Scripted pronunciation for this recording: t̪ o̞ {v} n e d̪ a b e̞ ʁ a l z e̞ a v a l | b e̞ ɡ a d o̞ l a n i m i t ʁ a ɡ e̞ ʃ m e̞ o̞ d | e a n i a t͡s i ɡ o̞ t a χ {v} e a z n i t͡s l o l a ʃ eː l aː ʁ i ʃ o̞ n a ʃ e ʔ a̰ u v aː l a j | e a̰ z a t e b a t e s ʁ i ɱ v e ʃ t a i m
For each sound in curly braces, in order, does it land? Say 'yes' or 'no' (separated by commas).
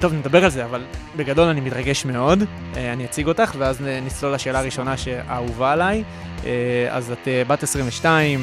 yes, yes